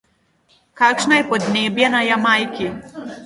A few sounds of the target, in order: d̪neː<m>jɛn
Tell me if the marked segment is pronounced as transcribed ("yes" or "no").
no